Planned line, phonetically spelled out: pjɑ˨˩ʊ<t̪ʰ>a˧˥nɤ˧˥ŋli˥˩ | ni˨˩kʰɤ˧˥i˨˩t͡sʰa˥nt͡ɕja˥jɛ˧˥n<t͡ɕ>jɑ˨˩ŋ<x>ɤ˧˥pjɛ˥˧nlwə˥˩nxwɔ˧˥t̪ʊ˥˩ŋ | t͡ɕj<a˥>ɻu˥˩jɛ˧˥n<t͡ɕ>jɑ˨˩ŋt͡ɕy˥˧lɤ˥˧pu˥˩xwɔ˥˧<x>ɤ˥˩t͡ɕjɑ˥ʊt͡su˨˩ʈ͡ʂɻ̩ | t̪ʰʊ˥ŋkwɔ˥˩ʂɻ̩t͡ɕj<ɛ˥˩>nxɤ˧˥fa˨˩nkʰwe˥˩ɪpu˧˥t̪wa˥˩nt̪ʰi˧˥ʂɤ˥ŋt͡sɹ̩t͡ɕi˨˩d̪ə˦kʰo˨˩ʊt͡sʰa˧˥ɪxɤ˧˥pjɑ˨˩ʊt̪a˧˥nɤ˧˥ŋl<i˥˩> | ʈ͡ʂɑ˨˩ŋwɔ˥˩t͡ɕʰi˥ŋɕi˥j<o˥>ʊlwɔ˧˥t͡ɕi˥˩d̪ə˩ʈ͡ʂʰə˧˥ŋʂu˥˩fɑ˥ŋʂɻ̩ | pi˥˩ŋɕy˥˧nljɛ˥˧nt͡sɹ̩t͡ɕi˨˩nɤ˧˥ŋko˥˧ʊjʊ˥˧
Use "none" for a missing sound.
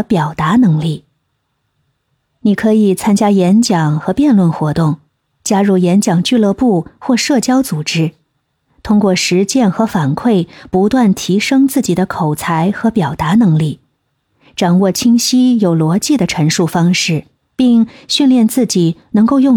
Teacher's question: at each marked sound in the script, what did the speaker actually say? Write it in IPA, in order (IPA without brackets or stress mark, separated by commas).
t̪, t͡ɕ, x, a˥, t͡ɕ, ʂ, ɛ˥˩, i˥˩, o˨˩